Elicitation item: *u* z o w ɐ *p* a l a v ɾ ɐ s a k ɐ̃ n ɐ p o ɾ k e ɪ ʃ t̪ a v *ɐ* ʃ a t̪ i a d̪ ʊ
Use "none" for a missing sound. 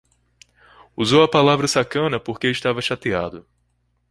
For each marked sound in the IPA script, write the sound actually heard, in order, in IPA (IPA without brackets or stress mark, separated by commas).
u, p, ɐ